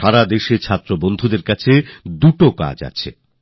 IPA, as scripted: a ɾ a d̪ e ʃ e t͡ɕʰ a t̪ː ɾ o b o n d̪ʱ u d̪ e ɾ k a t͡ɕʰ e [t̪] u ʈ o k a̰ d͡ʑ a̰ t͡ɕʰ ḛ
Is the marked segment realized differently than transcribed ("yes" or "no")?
yes